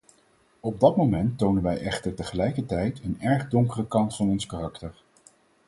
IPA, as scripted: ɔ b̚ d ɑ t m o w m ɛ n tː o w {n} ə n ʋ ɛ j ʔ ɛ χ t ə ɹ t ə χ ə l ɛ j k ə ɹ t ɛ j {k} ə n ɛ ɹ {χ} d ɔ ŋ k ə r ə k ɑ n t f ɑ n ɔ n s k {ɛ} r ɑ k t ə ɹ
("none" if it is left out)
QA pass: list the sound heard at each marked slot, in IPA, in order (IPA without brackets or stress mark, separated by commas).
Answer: n, t, χ, a